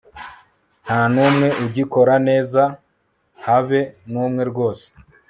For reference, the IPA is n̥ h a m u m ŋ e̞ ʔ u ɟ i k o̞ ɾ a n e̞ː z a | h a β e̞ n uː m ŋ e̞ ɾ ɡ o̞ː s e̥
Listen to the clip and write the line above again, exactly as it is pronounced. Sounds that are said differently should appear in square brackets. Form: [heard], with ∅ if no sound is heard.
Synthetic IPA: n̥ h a [n] u m ŋ e̞ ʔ u ɟ i k o̞ ɾ a n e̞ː z a | h a β e̞ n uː m ŋ e̞ ɾ ɡ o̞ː s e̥